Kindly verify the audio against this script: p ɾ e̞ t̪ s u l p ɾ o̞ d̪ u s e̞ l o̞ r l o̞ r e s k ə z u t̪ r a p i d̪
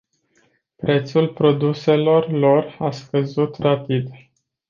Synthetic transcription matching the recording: p ɾ e̞ t̪ s u l p ɾ o̞ d̪ u s e̞ l o̞ r l o̞ r a s k ə z u t̪ r a p i d̪